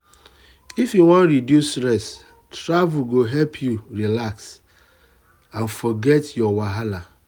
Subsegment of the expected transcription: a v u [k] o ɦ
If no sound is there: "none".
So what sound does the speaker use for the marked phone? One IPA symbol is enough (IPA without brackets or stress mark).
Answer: ɡ